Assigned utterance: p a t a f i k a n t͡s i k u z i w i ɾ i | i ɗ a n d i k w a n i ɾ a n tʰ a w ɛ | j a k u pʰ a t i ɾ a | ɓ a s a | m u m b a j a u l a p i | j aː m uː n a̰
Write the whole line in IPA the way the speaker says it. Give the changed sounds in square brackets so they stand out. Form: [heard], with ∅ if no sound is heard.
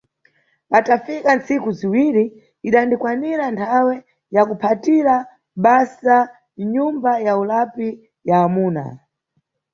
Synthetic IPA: p a t a f i k a n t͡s i k u z i w i ɾ i | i ɗ a n d i k w a n i ɾ a n tʰ a w ɛ | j a k u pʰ a t i ɾ a | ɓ a s a | [ɲ] u m b a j a u l a p i | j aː m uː n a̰